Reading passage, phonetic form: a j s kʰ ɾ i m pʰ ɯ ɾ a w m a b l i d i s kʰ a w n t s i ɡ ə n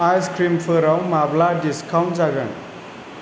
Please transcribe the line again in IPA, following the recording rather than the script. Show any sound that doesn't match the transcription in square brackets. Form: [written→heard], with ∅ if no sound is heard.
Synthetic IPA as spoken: a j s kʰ ɾ i m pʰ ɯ ɾ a w m a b l [i→a] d i s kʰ a w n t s [i→a] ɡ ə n

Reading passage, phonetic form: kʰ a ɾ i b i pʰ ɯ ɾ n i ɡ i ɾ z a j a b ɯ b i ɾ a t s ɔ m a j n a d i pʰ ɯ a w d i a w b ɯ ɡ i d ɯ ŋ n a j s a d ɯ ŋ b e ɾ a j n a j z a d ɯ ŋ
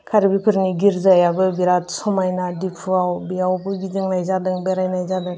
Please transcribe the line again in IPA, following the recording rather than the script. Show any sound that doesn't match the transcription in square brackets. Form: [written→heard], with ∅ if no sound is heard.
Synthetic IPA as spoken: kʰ a ɾ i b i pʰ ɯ ɾ n i ɡ i ɾ z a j a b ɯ b i ɾ a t s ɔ m a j n a d i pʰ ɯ a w [d→b] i a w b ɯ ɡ i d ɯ ŋ n a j [s→z] a d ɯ ŋ b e ɾ a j n a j z a d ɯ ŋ

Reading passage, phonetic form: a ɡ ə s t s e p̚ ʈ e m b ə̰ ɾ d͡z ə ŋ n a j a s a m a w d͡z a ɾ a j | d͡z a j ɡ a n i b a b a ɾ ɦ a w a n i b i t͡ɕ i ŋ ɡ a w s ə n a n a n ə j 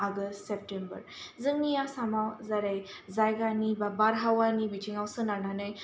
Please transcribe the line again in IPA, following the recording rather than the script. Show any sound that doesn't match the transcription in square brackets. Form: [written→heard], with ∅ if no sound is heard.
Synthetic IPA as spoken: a ɡ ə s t s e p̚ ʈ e m b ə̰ ɾ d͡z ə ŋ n [a→i] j a s a m a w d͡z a ɾ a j | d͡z a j ɡ a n i b a b a ɾ ɦ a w a n i b i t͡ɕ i ŋ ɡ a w s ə n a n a n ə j

